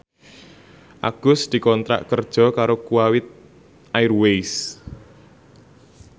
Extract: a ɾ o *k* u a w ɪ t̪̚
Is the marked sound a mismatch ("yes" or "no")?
no